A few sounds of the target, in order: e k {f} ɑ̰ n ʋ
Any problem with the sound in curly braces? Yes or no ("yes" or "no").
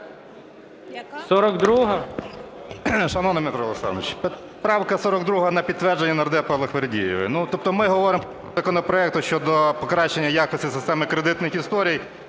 yes